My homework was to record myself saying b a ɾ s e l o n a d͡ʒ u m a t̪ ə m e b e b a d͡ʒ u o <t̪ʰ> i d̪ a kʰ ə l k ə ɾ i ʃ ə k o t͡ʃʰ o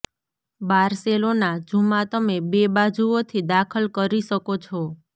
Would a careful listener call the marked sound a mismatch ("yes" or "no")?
no